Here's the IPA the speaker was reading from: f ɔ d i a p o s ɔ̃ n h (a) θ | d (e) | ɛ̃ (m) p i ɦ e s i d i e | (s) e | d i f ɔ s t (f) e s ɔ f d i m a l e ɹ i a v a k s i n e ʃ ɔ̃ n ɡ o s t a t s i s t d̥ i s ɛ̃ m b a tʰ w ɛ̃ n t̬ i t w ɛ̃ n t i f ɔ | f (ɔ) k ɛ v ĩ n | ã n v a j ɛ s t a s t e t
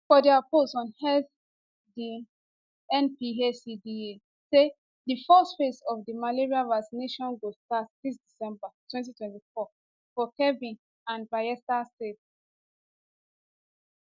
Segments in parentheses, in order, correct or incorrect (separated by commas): incorrect, incorrect, incorrect, correct, correct, correct